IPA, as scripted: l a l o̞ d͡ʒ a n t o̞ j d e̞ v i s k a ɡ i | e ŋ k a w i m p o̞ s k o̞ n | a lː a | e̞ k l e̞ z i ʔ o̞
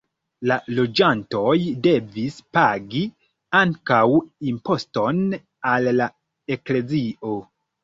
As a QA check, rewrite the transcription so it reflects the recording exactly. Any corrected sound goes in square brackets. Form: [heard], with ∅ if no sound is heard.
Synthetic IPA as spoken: l a l o̞ d͡ʒ a n t o̞ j d e̞ v i s [p] a ɡ i | [a] ŋ k a w i m p o̞ s [t] o̞ n | a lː a | e̞ k l e̞ z i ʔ o̞

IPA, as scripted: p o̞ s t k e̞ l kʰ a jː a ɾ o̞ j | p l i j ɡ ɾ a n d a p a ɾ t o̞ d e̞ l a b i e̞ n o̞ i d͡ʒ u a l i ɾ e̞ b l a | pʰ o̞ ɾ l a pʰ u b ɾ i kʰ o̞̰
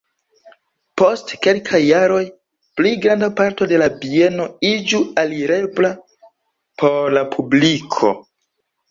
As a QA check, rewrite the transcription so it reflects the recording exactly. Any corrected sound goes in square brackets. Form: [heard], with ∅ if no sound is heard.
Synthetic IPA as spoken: p o̞ s t k e̞ l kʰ a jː a ɾ o̞ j | p l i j ɡ ɾ a n d a p a ɾ t o̞ d e̞ l a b i e̞ n o̞ i d͡ʒ u a l i ɾ e̞ b l a | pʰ o̞ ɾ l a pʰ u b [l] i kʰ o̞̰

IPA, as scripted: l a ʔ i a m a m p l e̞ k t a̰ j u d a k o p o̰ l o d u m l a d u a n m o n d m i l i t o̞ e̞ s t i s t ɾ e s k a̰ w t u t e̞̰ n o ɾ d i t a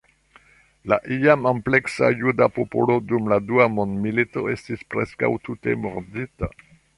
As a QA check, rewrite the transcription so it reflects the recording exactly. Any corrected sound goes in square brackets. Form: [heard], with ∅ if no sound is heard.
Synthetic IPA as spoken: l a ʔ i a m a m p l e̞ k [s] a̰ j u d a [p] o p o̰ l o d u m l a d u a [∅] m o n d m i l i t o̞ e̞ s t i s [p] ɾ e s k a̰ w t u t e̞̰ [m] o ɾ d i t a

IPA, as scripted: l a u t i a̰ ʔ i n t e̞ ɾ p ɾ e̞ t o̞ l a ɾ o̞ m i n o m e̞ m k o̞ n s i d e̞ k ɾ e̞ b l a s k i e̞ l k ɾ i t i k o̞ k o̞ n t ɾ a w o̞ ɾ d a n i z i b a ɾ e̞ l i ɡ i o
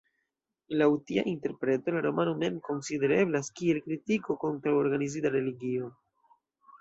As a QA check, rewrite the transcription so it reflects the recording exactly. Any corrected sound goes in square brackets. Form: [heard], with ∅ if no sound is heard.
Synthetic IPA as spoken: l a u t i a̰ ʔ i n t e̞ ɾ p ɾ e̞ t o̞ l a ɾ o̞ m [a] n o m e̞ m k o̞ n s i d e̞ [∅] ɾ e̞ b l a s k i e̞ l k ɾ i t i k o̞ k o̞ n t ɾ a w o̞ ɾ [ɡ] a n i z i [d] a ɾ e̞ l i ɡ i o

